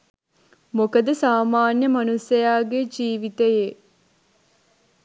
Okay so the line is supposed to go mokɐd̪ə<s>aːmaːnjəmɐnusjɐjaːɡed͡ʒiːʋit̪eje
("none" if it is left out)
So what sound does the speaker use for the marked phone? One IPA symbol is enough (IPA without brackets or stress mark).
s